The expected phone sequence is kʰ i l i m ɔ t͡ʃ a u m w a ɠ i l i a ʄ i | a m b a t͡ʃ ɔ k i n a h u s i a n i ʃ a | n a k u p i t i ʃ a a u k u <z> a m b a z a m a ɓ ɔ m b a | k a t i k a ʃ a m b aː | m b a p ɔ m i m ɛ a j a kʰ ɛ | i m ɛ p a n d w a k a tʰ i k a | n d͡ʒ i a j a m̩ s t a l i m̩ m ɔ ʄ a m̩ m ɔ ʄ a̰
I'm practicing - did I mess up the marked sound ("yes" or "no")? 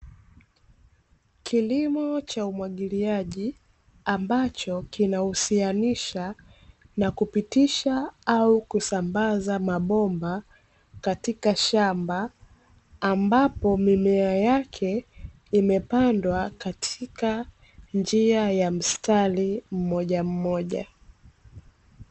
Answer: yes